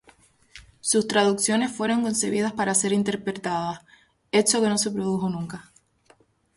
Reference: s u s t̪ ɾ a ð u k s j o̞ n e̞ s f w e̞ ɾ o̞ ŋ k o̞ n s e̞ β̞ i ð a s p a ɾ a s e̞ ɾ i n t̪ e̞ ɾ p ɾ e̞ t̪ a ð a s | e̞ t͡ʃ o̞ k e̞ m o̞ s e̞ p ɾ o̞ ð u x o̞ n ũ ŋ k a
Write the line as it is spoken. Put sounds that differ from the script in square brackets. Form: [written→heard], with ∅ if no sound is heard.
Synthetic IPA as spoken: s u s t̪ ɾ a ð u k s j o̞ n e̞ s f w e̞ ɾ o̞ ŋ k o̞ n s e̞ β̞ i ð a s p a ɾ a s e̞ ɾ i n t̪ e̞ ɾ p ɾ e̞ t̪ a ð a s | e̞ t͡ʃ o̞ k e̞ [m→n] o̞ s e̞ p ɾ o̞ ð u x o̞ n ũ ŋ k a

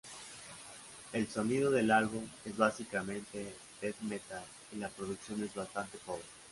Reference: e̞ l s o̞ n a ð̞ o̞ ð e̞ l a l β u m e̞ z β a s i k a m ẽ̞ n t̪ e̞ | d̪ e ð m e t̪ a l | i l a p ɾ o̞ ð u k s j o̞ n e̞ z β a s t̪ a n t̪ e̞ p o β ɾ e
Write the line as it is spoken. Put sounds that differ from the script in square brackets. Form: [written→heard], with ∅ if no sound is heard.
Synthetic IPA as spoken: e̞ l s o̞ n [a→i] ð̞ o̞ ð e̞ l a l β u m e̞ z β a s i k a m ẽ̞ n t̪ e̞ | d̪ e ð m e t̪ a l | i l a p ɾ o̞ ð u k s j o̞ n e̞ z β a s t̪ a n t̪ e̞ p o β ɾ e

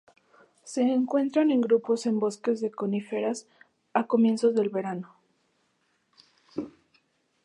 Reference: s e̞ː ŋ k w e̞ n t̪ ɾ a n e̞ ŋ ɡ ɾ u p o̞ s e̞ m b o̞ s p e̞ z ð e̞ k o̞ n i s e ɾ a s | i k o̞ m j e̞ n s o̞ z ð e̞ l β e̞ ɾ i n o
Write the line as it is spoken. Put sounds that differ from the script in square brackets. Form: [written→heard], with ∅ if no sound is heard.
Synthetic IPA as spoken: s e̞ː ŋ k w e̞ n t̪ ɾ a n e̞ ŋ ɡ ɾ u p o̞ s e̞ m b o̞ s [p→k] e̞ z ð e̞ k o̞ n i [s→f] e ɾ a s | [i→a] k o̞ m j e̞ n s o̞ z ð e̞ l β e̞ ɾ [i→a] n o

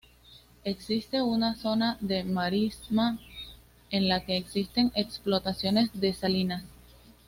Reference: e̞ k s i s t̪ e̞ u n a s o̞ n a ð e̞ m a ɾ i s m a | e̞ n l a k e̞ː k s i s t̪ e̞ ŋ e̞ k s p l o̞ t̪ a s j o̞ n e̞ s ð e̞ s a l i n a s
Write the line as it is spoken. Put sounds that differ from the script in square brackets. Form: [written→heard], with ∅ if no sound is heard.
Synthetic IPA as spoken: e̞ k s i s t̪ e̞ u n a s o̞ n a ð e̞ m a ɾ i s m a | e̞ n l a k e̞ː k s i s t̪ e̞ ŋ e̞ k s p l o̞ t̪ a s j o̞ n e̞ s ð e̞ s a l i n a s

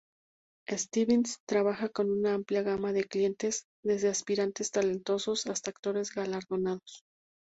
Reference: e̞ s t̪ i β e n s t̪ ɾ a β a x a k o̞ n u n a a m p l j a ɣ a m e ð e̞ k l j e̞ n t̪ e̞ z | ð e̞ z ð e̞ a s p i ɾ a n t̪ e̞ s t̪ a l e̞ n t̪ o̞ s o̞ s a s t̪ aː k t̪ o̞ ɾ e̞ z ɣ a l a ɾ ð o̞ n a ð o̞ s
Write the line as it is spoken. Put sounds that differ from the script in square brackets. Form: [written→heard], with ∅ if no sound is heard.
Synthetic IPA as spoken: e̞ s t̪ i β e n s t̪ ɾ a β a x a k o̞ n u n a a m p l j a ɣ a m [e→a] ð e̞ k l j e̞ n t̪ e̞ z | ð e̞ z ð e̞ a s p i ɾ a n t̪ e̞ s t̪ a l e̞ n t̪ o̞ s o̞ s a s t̪ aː k t̪ o̞ ɾ e̞ z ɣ a l a ɾ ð o̞ n a ð o̞ s

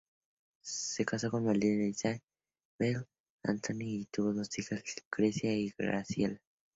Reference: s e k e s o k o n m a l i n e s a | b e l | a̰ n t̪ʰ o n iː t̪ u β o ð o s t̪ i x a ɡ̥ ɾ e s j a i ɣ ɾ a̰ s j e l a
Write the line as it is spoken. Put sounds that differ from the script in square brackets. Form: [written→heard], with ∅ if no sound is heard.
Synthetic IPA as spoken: s e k [e→a] s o k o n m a l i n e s a | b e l | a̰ n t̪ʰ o n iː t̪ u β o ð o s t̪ i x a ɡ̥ ɾ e s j a i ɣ ɾ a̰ s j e l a

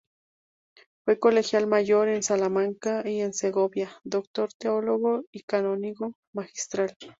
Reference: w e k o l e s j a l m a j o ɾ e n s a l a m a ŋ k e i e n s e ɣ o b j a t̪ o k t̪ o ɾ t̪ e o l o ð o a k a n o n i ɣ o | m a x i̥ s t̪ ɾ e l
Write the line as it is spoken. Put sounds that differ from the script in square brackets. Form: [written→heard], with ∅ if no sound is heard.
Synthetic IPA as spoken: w e k o l e [s→x] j a l m a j o ɾ e n s a l a m a ŋ k [e→a] i e n s e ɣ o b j a [t̪→d̪] o k t̪ o ɾ t̪ e o l o [ð→ɣ] o [a→i] k a n o n i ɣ o | m a x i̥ s t̪ ɾ [e→a] l

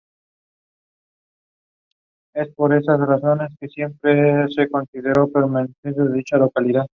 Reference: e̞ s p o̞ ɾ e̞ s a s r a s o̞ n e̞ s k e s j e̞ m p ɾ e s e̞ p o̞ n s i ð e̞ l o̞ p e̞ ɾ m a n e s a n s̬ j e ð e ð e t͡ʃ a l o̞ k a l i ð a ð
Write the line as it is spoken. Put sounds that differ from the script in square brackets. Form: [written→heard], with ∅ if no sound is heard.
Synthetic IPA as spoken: e̞ s p o̞ ɾ e̞ s a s r a s o̞ n e̞ s k e s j e̞ m p ɾ e s e̞ [p→k] o̞ n s i ð e̞ [l→ɾ] o̞ p e̞ ɾ m a n e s [a→e] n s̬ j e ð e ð [e→i] t͡ʃ a l o̞ k a l i ð a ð

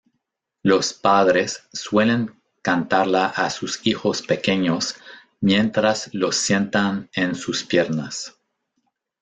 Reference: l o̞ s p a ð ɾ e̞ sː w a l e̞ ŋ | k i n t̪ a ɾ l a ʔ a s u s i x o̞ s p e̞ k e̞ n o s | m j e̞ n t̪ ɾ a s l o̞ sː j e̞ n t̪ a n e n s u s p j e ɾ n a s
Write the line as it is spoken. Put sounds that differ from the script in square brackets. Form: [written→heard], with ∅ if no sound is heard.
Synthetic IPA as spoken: l o̞ s p a ð ɾ e̞ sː w [a→e] l e̞ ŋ | k [i→a] n t̪ a ɾ l a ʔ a s u s i x o̞ s p e̞ k e̞ [n→ɲ] o s | m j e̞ n t̪ ɾ a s l o̞ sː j e̞ n t̪ a n e n s u s p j e ɾ n a s

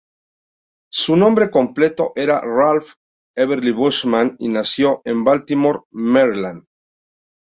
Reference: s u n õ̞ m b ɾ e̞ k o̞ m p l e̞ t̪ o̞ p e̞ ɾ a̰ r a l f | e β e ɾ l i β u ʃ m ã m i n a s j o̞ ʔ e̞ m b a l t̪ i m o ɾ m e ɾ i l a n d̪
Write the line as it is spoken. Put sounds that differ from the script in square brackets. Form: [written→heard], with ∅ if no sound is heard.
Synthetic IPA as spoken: s u n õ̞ m b ɾ e̞ k o̞ m p l e̞ t̪ o̞ [p→ʔ] e̞ ɾ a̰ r a l f | e β e ɾ l i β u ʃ m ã [m→n] i n a s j o̞ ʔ e̞ m b a l t̪ i m o ɾ m e ɾ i l a n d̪

